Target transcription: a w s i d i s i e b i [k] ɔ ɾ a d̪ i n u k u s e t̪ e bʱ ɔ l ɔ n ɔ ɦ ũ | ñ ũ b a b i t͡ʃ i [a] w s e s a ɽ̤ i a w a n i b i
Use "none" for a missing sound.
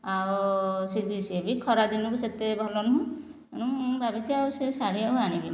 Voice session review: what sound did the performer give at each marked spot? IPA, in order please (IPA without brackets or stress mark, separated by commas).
kʰ, a